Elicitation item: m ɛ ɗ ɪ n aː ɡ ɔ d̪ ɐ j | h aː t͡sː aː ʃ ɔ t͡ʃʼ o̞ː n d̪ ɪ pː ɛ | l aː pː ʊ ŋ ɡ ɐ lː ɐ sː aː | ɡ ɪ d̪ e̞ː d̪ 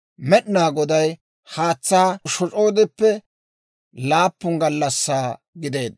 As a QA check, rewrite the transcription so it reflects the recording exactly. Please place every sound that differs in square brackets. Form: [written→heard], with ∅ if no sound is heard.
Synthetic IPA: m ɛ ɗ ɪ n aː ɡ ɔ d̪ ɐ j | h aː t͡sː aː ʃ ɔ t͡ʃʼ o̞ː [n→∅] d̪ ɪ pː ɛ | l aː pː ʊ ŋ ɡ ɐ lː ɐ sː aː | ɡ ɪ d̪ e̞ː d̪

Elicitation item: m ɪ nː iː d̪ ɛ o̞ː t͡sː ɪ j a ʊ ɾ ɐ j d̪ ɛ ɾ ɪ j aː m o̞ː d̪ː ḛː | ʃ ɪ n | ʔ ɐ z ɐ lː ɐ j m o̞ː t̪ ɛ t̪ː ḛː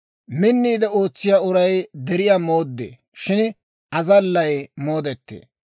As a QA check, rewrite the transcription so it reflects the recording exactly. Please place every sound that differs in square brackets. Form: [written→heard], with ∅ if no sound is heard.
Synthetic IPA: m ɪ nː iː d̪ ɛ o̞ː t͡sː ɪ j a ʊ ɾ ɐ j d̪ ɛ ɾ ɪ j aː m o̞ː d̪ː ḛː | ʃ ɪ n | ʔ ɐ z ɐ lː ɐ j m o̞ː [t̪→d̪] ɛ t̪ː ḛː

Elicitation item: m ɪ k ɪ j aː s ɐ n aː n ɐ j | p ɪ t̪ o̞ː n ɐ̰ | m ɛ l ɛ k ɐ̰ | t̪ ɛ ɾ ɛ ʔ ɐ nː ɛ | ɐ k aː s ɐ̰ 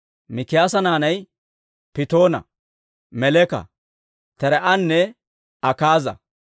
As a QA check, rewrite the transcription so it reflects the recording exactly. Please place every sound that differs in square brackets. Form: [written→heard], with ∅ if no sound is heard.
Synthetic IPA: m ɪ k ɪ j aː s ɐ n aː n ɐ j | p ɪ t̪ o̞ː n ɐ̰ | m ɛ l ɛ k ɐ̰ | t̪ ɛ ɾ ɛ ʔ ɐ nː ɛ | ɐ k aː [s→z] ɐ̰

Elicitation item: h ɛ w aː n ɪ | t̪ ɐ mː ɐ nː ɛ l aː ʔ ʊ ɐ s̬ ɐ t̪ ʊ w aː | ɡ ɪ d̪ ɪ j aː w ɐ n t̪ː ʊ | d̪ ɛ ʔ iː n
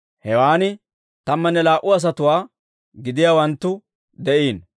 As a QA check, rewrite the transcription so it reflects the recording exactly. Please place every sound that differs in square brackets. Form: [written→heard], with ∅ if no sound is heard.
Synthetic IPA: h ɛ w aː n ɪ | t̪ ɐ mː ɐ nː ɛ l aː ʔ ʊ ɐ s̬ ɐ t̪ ʊ w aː | ɡ ɪ d̪ ɪ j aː w ɐ n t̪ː ʊ | d̪ ɛ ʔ iː n

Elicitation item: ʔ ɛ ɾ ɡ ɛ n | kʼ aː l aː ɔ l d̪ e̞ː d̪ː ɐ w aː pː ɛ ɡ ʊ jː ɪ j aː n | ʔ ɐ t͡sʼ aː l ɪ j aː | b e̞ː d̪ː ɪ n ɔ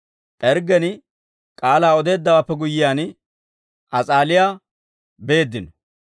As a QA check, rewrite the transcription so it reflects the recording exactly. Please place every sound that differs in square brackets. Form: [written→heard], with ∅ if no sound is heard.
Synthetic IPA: ʔ ɛ ɾ ɡ ɛ n | kʼ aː l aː ɔ [l→∅] d̪ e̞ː d̪ː ɐ w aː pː ɛ ɡ ʊ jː ɪ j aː n | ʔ ɐ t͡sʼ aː l ɪ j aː | b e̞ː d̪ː ɪ n ɔ

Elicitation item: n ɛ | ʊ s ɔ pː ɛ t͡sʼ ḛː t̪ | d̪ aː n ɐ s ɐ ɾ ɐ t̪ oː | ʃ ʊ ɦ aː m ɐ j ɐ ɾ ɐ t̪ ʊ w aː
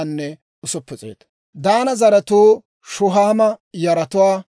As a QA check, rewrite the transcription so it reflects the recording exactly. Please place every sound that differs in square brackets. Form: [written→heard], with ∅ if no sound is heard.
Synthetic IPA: [n→nː] ɛ | ʊ s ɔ pː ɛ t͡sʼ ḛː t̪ | d̪ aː n ɐ [s→z] ɐ ɾ ɐ t̪ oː | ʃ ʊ ɦ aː m ɐ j ɐ ɾ ɐ t̪ ʊ w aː

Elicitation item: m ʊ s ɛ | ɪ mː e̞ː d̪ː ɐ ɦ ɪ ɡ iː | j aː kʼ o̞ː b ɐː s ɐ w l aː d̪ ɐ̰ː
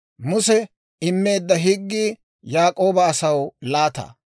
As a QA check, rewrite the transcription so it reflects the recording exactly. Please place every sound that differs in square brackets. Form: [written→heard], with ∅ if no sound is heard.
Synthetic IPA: m ʊ s ɛ | ɪ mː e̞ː d̪ː ɐ ɦ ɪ [ɡ→ɡː] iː | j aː kʼ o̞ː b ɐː s ɐ w l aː [d̪→t̪] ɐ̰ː

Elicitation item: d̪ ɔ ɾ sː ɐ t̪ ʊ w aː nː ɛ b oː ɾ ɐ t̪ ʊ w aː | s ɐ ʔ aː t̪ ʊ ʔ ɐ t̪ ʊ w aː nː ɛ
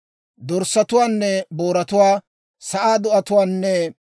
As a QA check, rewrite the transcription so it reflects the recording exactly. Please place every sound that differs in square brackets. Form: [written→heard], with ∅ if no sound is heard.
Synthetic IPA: d̪ ɔ ɾ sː ɐ t̪ ʊ w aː nː ɛ b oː ɾ ɐ t̪ ʊ w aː | s ɐ ʔ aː [t̪→d̪] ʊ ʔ ɐ t̪ ʊ w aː nː ɛ

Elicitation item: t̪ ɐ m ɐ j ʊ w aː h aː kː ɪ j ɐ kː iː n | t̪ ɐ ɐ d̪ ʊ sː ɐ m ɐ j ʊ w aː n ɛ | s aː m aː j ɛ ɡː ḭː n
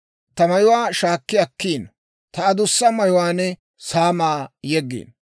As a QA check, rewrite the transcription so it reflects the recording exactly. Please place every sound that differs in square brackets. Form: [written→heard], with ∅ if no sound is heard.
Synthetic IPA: t̪ ɐ m ɐ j ʊ w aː [h→ʃ] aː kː ɪ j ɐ kː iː n | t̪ ɐ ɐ d̪ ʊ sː ɐ m ɐ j ʊ w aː n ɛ | s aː m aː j ɛ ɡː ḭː n

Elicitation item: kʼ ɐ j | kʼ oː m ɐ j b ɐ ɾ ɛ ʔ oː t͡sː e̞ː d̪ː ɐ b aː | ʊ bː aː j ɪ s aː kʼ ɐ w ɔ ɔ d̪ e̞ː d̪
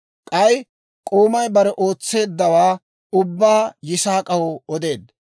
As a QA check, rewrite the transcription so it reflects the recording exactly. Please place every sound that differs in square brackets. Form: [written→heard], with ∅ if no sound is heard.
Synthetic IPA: kʼ ɐ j | kʼ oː m ɐ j b ɐ ɾ ɛ ʔ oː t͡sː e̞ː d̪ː ɐ [b→w] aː | ʊ bː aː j ɪ s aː kʼ ɐ w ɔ ɔ d̪ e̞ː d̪

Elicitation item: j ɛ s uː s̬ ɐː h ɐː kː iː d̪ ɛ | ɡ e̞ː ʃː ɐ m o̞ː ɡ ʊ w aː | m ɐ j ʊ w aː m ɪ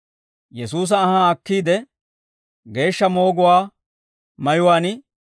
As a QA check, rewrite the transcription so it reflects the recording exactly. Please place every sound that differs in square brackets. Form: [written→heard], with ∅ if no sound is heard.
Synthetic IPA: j ɛ s uː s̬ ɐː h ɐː kː iː d̪ ɛ | ɡ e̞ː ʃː ɐ m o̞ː ɡ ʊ w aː | m ɐ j ʊ w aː [m→n] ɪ

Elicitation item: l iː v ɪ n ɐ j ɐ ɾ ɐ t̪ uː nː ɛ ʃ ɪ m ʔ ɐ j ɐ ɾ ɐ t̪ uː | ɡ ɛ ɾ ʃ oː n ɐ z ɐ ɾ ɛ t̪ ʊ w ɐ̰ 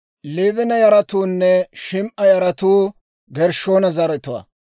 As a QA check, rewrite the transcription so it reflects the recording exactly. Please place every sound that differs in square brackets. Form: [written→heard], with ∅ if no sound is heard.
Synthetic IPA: l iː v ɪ n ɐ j ɐ ɾ ɐ t̪ uː nː ɛ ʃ ɪ m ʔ ɐ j ɐ ɾ ɐ t̪ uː | ɡ ɛ ɾ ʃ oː n ɐ z ɐ ɾ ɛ t̪ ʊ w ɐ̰

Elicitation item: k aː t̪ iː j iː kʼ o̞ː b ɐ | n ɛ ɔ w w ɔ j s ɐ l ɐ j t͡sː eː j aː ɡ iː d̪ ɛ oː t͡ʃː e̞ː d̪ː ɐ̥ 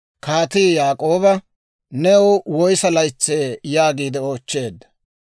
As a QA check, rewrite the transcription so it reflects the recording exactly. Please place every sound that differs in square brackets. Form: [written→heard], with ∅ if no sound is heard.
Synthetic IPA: k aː t̪ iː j [iː→aː] kʼ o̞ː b ɐ | n ɛ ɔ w w ɔ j s ɐ l ɐ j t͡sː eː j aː ɡ iː d̪ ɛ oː t͡ʃː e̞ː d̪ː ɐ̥

